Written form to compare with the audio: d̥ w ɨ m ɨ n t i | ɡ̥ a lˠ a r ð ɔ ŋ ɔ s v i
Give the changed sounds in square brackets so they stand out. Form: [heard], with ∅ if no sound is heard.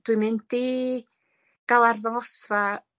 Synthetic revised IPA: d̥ w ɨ m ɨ n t i | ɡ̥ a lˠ a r ð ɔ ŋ ɔ s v [a]